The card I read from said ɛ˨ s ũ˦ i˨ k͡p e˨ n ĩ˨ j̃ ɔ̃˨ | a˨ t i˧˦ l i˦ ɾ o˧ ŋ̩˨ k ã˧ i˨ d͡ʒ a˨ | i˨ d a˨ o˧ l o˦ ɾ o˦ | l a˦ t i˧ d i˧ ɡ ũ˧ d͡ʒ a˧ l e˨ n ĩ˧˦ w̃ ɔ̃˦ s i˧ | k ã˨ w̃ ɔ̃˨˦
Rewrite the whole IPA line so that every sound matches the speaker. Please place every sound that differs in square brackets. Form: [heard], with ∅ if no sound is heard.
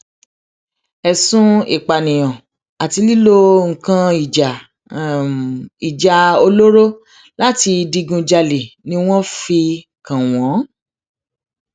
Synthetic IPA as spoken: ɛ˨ s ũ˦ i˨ k͡p [a˨] n ĩ˨ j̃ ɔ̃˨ | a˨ t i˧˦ l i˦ [l] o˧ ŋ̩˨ k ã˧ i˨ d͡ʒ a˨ | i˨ [d͡ʒ] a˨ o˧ l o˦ ɾ o˦ | l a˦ t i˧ d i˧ ɡ ũ˧ d͡ʒ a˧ l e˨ n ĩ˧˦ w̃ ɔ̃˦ [f] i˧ | k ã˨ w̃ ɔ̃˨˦